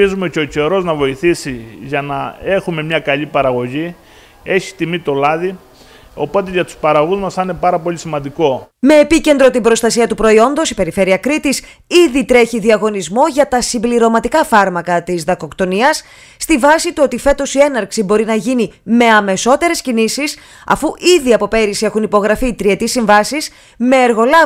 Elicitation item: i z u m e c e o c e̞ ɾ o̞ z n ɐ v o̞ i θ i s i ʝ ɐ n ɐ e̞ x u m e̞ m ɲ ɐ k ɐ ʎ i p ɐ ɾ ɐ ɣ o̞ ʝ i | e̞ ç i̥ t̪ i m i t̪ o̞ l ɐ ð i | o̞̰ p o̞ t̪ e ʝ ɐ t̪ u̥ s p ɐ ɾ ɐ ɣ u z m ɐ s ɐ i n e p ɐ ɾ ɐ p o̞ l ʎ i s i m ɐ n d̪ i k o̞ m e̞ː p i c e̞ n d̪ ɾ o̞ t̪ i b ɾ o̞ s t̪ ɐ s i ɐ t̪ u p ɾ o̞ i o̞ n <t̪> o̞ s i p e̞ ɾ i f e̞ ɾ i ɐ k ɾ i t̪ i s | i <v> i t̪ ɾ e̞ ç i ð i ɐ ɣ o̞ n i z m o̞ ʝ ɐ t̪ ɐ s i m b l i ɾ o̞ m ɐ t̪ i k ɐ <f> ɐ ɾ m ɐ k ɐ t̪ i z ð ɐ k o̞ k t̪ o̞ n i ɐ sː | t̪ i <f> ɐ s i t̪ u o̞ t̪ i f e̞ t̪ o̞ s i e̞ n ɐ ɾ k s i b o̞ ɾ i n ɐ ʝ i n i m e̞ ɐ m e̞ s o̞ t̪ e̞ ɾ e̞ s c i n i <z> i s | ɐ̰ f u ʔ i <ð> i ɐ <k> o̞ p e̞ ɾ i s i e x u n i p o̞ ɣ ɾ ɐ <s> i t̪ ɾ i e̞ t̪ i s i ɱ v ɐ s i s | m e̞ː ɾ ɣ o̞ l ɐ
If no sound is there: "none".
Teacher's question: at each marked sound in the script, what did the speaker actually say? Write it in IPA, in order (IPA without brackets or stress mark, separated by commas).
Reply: d̪, ð, f, v, s, ð, p, f